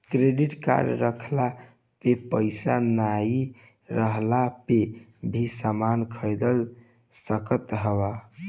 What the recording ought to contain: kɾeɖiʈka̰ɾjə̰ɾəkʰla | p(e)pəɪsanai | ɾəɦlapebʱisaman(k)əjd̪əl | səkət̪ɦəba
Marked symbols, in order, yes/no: yes, no

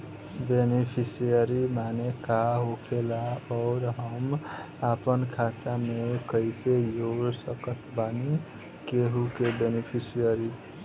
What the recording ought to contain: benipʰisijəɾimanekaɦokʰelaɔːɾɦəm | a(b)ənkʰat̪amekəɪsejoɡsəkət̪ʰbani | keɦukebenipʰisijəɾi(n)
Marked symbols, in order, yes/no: no, no

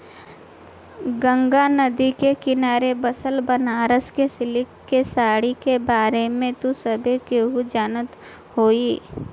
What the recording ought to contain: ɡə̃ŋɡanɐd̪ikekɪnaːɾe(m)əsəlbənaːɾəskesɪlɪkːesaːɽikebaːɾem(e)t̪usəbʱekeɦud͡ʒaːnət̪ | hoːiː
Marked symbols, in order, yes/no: no, no

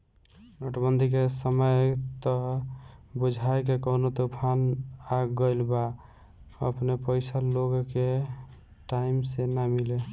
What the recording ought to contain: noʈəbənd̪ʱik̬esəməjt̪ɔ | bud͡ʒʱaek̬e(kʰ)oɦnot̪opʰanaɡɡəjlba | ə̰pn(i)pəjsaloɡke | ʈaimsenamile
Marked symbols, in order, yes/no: no, no

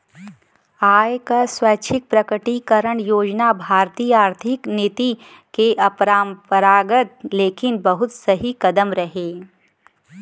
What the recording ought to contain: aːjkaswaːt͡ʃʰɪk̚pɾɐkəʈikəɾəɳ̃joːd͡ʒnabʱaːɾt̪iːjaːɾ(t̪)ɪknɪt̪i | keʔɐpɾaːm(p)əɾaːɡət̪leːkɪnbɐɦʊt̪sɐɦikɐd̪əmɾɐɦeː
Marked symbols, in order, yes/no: no, yes

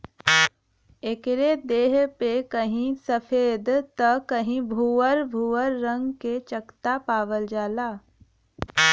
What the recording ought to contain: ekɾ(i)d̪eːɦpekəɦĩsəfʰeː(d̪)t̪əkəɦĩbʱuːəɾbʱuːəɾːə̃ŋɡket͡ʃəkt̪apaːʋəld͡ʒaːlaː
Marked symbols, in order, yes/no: no, yes

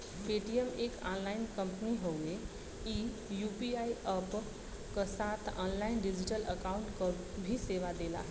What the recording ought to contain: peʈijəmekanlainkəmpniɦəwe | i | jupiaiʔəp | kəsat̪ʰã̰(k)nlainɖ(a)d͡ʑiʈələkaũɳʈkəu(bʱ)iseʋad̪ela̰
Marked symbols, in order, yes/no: no, no, yes

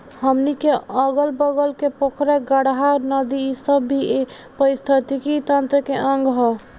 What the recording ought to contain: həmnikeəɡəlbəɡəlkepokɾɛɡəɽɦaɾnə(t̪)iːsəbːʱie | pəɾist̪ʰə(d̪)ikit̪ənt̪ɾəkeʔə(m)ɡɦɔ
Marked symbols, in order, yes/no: no, no, no

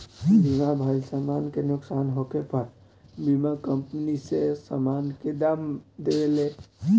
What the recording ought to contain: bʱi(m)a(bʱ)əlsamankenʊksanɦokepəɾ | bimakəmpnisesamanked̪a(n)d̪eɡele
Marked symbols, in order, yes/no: yes, yes, no

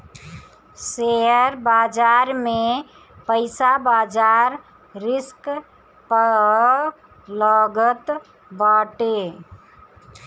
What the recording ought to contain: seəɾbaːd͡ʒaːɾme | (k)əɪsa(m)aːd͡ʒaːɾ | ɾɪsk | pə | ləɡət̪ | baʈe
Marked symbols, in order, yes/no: no, no

